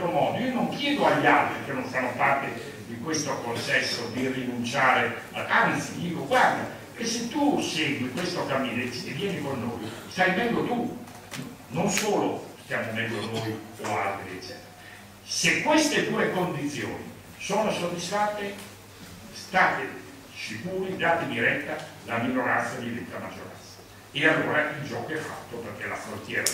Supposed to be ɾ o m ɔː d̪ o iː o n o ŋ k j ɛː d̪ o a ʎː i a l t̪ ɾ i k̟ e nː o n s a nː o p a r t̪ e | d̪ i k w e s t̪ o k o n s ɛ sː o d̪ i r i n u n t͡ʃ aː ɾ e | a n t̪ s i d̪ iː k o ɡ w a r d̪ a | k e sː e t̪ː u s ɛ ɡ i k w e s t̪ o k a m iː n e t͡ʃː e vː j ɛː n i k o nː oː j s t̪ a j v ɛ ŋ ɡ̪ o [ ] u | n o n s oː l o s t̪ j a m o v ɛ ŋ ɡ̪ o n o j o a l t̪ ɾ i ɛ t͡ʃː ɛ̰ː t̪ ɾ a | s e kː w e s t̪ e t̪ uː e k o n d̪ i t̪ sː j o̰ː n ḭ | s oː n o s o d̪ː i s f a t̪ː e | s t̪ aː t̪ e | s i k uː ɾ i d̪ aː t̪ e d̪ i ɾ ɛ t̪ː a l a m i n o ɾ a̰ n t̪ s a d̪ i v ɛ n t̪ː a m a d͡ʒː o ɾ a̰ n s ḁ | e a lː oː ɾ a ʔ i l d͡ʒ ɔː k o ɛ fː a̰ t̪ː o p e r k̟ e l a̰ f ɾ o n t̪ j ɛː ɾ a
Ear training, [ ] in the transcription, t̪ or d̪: t̪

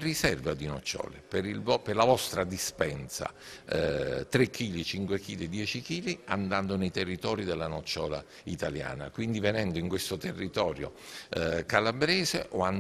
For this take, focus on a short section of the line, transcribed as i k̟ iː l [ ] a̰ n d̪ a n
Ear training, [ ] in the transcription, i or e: i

